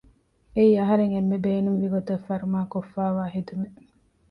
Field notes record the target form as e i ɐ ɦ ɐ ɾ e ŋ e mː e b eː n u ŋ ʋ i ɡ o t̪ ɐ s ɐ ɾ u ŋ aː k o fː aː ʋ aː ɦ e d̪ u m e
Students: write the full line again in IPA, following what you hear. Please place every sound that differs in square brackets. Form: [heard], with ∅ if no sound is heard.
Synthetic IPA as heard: e i ɐ ɦ ɐ ɾ e ŋ e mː e b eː n u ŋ ʋ i ɡ o t̪ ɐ [f] ɐ ɾ u [m] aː k o fː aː ʋ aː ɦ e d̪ u m e